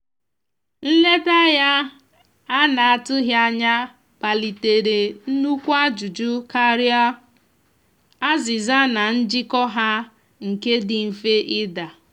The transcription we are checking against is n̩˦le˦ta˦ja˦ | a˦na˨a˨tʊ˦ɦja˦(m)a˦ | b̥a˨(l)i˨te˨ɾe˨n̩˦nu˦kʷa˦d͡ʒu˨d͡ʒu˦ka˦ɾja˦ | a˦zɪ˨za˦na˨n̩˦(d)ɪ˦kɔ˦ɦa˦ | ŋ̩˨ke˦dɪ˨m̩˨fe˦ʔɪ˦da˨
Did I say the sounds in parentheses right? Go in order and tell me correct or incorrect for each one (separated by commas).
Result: incorrect, correct, incorrect